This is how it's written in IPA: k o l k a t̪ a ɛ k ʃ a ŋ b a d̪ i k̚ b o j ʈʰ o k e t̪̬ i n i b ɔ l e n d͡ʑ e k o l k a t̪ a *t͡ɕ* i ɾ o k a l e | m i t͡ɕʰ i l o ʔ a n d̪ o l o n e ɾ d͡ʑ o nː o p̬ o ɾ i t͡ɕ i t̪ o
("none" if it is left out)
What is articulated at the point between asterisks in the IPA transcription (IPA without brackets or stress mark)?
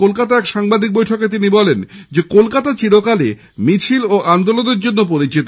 t͡ɕ